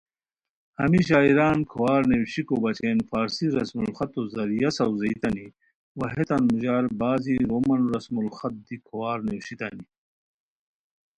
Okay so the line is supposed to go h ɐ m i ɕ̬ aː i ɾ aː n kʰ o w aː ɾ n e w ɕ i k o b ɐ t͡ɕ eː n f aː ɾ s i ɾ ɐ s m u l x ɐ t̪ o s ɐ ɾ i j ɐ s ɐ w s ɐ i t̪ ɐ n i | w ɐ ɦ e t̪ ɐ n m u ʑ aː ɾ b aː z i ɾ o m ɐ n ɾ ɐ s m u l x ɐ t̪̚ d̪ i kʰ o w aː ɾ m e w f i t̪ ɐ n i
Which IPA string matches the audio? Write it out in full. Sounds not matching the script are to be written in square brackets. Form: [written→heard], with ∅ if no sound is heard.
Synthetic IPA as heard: h ɐ m i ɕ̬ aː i ɾ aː n kʰ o w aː ɾ n e w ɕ i k o b ɐ t͡ɕ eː n f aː ɾ s i ɾ ɐ s m u l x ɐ t̪ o [s→z] ɐ ɾ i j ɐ s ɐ w [s→z] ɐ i t̪ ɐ n i | w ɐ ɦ e t̪ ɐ n m u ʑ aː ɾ b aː z i ɾ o m ɐ n ɾ ɐ s m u l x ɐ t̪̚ d̪ i kʰ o w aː ɾ [m→n] e w [f→ɕ] i t̪ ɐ n i